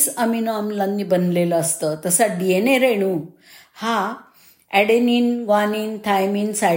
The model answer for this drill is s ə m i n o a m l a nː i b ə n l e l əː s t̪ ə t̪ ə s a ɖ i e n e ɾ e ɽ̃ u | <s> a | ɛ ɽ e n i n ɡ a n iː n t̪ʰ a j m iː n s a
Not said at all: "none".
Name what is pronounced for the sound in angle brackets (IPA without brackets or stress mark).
h